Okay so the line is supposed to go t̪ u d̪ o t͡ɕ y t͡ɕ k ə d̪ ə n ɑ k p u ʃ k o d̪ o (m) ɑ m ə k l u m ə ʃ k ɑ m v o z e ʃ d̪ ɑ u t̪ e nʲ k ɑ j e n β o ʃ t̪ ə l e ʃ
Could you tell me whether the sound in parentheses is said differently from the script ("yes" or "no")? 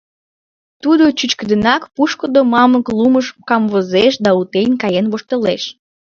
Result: no